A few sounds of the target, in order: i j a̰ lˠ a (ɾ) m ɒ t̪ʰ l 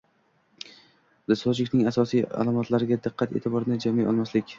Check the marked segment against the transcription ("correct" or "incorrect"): incorrect